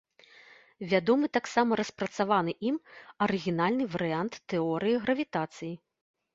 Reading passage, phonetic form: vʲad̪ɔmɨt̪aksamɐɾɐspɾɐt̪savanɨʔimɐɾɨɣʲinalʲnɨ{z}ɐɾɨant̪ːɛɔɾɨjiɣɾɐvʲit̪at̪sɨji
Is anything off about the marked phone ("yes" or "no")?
yes